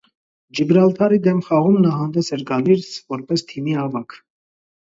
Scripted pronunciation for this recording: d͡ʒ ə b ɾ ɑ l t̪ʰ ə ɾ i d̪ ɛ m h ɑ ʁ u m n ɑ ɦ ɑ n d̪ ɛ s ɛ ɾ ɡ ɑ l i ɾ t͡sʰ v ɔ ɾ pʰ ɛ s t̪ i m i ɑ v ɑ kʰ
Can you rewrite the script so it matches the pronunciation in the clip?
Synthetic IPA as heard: d͡ʒ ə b ɾ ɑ l t̪ʰ ɑ ɾ i d̪ ɛ m χ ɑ ʁ u m n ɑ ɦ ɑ n d̪ ɛ s ɛ ɾ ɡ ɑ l i ɾ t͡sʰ v ɔ ɾ p ɛ s t̪ʰ i m i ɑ v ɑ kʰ

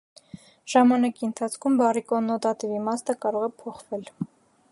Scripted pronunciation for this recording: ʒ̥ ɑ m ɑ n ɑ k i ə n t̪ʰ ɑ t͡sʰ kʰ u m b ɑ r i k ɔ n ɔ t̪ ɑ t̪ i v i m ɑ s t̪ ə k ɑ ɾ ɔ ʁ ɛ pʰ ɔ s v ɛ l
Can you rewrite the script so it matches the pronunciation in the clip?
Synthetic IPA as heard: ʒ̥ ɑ m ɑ n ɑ k i ə n t̪ʰ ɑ t͡sʰ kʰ u m b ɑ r i k ɔ n ɔ t̪ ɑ t̪ i v i m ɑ s t̪ ə k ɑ ɾ ɔ ʁ ɛ pʰ ɔ χ v ɛ l

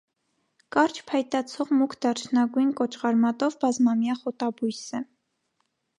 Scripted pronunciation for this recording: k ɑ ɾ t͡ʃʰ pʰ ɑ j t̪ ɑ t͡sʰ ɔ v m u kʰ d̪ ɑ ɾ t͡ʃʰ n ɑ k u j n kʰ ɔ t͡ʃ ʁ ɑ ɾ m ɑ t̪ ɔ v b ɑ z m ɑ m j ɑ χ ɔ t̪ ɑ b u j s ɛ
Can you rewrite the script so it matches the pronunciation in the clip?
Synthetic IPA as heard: k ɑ ɾ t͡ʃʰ pʰ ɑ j t̪ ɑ t͡sʰ ɔ ʁ m u kʰ d̪ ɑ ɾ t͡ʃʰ n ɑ ɡ u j n k ɔ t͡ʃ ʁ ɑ ɾ m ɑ t̪ ɔ v b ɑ z m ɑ m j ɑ χ ɔ t̪ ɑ b u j s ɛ

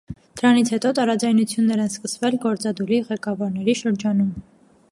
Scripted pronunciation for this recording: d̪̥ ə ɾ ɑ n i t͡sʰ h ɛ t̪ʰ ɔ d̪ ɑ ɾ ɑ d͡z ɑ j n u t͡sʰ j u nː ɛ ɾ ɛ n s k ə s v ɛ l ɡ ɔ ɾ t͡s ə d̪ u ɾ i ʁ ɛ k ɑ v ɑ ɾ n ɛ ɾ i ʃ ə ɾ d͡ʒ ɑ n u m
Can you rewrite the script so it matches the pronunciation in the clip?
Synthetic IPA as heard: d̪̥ ə ɾ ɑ n i t͡sʰ h ɛ t̪ ɔ t̪ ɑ ɾ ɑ d͡z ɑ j n u t͡sʰ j u nː ɛ ɾ ɛ n s k ə s v ɛ l ɡ ɔ ɾ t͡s ɑ d̪ u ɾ i ʁ ɛ k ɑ v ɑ ɾ n ɛ ɾ i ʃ ə ɾ d͡ʒ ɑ n u m

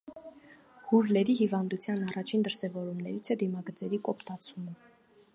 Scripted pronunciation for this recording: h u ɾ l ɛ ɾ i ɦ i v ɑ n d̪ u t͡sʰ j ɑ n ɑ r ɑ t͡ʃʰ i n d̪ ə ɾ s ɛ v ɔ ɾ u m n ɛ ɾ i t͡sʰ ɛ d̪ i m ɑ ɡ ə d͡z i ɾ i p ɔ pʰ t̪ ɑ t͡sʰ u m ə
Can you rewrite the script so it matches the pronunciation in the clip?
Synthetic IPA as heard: h u ɾ l ɛ ɾ i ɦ i v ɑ n d̪ u t͡sʰ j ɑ n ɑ r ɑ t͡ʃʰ i n d̪ ə ɾ s ɛ v ɔ ɾ u m n ɛ ɾ i t͡sʰ ɛ d̪ i m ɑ ɡ ə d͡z ɛ ɾ i k ɔ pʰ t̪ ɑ t͡sʰ u m ə

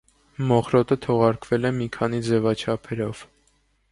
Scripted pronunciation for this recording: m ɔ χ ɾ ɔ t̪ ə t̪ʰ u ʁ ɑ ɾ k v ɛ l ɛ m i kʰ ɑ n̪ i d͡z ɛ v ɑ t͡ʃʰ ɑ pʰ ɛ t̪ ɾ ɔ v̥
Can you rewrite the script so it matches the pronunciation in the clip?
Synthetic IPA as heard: m ɔ χ ɾ ɔ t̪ ə t̪ʰ ɔ ʁ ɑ ɾ k v ɛ l ɛ m i kʰ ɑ n̪ i d͡z ɛ v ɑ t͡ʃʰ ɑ pʰ ɛ ɾ ɔ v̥

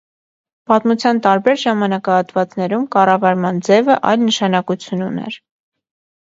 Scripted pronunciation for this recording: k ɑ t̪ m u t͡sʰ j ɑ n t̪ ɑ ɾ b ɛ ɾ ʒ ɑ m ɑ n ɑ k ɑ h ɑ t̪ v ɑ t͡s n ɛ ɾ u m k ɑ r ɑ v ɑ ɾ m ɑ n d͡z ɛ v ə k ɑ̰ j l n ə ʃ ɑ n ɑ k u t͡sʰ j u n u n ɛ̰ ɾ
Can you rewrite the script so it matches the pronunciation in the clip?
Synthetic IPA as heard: p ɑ t̪ m u t͡sʰ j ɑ n t̪ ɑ ɾ b ɛ ɾ ʒ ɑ m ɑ n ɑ k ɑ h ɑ t̪ v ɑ t͡s n ɛ ɾ u m k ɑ r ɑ v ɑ ɾ m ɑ n d͡z ɛ v ə ʔ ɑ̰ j l n ə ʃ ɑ n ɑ k u t͡sʰ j u n u n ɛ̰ ɾ

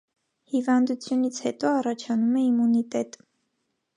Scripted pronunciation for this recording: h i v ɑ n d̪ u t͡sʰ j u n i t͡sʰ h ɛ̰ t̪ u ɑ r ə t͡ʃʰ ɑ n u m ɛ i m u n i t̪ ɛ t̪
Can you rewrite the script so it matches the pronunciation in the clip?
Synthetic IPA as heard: h i v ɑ n d̪ u t͡sʰ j u n i t͡sʰ h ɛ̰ t̪ ɔ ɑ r ɑ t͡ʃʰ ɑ n u m ɛ i m u n i t̪ ɛ t̪

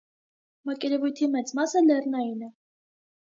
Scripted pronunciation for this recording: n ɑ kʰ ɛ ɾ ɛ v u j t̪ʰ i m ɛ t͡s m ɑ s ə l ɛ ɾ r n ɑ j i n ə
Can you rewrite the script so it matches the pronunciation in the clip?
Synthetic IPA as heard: m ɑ k ɛ ɾ ɛ v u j t̪ʰ i m ɛ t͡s m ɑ s ə l ɛ r n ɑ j i n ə

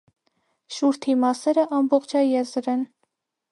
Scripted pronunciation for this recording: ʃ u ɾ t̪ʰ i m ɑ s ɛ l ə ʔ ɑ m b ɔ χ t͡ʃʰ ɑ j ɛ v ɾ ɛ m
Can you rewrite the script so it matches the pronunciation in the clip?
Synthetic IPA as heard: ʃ u ɾ t̪ʰ i m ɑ s ɛ ɾ ə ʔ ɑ m b ɔ χ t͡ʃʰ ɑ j ɛ z ɾ ɛ n

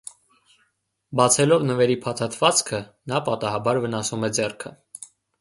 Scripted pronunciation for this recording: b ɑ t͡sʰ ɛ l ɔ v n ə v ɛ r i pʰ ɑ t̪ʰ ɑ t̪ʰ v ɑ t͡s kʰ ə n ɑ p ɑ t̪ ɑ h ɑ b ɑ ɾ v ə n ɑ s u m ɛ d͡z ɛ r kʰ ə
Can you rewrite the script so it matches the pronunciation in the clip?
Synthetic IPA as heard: b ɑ t͡sʰ ɛ l ɔ v n ə v ɛ ɾ i pʰ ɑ t̪ʰ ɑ t̪ʰ v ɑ t͡s kʰ ə n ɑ p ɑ t̪ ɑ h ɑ b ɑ ɾ v ə n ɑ s u m ɛ d͡z ɛ r kʰ ə

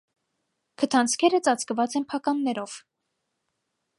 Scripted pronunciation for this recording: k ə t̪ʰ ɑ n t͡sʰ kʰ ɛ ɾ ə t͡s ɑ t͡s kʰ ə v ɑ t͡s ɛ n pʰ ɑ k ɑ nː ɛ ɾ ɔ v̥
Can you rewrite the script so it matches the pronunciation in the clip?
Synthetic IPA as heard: kʰ ə t̪ʰ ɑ n t͡sʰ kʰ ɛ ɾ ə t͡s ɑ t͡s k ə v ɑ t͡s ɛ n pʰ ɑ k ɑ nː ɛ ɾ ɔ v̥

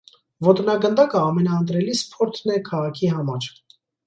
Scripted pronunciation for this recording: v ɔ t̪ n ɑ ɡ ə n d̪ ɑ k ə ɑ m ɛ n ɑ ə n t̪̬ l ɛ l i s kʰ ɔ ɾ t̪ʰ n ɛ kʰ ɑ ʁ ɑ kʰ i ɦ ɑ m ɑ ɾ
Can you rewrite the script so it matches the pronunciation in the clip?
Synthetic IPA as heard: v ɔ t̪ n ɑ ɡ ə n d̪ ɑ k ə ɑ m ɛ n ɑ ə n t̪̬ ɾ ɛ l i s pʰ ɔ ɾ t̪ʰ n ɛ kʰ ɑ ʁ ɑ kʰ i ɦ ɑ m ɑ ɾ

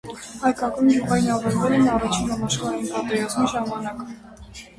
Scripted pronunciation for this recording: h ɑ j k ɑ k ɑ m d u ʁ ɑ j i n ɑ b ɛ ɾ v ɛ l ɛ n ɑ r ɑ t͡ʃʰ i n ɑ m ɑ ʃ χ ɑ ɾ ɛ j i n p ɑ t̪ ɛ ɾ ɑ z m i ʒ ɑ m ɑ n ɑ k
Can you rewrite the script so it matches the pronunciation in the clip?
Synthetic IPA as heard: h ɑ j k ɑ k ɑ n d u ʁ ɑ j i n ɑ v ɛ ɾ v ɛ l ɛ n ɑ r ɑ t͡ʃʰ i n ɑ m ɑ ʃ χ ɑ ɾ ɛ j i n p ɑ t̪ ɛ ɾ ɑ z m i ʒ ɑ m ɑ n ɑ k

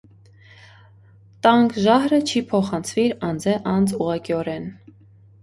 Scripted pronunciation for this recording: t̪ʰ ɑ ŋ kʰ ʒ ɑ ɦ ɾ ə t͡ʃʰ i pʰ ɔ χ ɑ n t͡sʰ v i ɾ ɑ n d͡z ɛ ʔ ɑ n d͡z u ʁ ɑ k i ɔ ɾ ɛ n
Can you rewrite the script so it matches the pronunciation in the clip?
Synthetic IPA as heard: t̪ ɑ ŋ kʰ ʒ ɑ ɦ ɾ ə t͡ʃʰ i pʰ ɔ χ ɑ n t͡sʰ v i ɾ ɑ n d͡z ɛ ʔ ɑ n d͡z u ʁ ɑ k i ɔ ɾ ɛ n

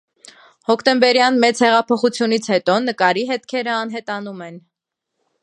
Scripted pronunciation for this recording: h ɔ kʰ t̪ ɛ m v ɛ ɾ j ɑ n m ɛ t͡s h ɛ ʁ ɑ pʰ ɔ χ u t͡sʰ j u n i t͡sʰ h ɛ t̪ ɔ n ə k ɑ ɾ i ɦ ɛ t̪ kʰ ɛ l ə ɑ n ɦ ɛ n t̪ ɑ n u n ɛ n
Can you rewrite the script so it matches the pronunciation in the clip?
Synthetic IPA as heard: h ɔ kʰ t̪ ɛ m b ɛ ɾ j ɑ n m ɛ t͡s h ɛ ʁ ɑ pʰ ɔ χ u t͡sʰ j u n i t͡sʰ h ɛ t̪ ɔ n ə k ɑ ɾ i ɦ ɛ t̪ kʰ ɛ ɾ ə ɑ n ɦ ɛ t̪ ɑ n u m ɛ n

